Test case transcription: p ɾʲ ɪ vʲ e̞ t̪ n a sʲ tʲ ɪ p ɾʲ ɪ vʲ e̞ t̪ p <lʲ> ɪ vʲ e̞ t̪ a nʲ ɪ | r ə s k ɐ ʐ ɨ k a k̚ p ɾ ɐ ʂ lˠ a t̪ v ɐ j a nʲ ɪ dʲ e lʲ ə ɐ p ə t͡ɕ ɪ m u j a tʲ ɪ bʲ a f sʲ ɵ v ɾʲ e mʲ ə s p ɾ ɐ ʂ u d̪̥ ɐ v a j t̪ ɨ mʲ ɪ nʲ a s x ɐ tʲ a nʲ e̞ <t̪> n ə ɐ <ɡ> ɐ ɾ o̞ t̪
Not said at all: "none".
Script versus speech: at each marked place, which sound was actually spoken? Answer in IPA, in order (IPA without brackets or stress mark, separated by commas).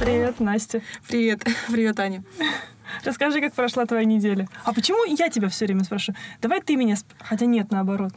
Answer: ɾʲ, t̪, b